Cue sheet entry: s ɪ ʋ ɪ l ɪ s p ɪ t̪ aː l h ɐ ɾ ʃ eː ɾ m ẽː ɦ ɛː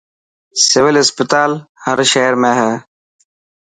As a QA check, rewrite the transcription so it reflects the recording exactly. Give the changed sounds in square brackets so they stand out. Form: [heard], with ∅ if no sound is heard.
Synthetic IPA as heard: s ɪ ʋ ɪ l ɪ s p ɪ t̪ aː l h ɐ ɾ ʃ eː ɾ m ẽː ɦ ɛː